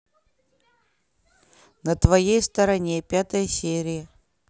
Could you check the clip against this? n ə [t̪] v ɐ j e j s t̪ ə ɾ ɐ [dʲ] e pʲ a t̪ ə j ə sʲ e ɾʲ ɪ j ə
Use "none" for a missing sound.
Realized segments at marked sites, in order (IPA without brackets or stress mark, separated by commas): t̪, nʲ